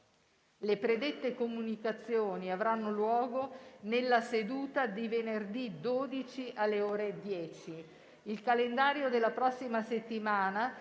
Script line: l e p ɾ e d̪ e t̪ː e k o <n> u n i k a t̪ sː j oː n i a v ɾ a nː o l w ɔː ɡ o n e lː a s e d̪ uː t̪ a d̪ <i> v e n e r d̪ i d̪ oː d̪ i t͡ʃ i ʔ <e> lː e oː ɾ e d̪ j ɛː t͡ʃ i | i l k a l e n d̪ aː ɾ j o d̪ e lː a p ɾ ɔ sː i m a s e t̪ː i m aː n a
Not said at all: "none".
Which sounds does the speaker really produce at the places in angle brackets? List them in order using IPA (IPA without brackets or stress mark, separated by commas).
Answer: m, i, a